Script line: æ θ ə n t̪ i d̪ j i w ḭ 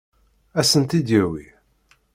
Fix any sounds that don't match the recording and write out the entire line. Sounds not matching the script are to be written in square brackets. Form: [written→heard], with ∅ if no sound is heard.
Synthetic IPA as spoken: æ [θ→s] ə n t̪ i d̪ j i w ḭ